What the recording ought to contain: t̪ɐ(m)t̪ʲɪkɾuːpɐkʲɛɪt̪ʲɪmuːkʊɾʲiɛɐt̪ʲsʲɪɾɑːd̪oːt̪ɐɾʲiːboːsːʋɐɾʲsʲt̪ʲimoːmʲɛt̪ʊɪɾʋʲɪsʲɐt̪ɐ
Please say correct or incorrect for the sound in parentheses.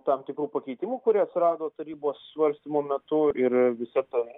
correct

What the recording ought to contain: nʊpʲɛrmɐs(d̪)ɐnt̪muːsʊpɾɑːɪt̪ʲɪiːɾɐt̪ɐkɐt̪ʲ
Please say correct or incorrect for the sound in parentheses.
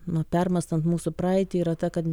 incorrect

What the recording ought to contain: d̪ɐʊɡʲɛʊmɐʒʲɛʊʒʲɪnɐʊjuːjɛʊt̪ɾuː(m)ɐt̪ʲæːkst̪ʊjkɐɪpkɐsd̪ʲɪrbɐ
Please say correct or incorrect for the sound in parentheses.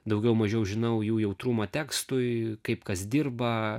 correct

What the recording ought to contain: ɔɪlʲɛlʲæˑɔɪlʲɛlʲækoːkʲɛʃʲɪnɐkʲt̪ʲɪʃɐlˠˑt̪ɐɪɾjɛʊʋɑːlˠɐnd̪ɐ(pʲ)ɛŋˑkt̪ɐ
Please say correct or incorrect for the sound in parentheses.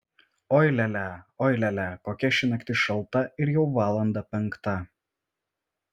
correct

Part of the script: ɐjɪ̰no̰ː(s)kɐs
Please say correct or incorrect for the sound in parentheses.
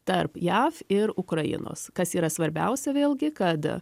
correct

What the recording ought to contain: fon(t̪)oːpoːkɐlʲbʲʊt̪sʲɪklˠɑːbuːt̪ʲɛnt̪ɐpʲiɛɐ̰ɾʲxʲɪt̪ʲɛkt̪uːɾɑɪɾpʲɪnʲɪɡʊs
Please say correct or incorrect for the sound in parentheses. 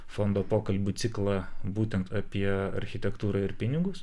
incorrect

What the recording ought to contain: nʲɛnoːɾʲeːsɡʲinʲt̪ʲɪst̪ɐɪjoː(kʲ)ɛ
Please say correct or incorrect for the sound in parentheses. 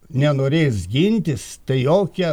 correct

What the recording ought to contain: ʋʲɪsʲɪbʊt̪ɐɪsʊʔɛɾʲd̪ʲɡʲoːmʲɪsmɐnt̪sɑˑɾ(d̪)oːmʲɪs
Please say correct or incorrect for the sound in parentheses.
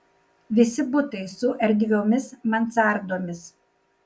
correct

